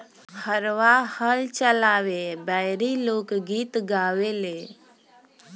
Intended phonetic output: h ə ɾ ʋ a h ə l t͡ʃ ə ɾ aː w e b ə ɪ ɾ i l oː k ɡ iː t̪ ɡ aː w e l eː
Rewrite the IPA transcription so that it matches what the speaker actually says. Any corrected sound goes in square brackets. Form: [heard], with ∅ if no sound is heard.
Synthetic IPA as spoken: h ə ɾ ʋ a h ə l t͡ʃ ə [l] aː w e b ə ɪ ɾ i l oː k ɡ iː t̪ ɡ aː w e l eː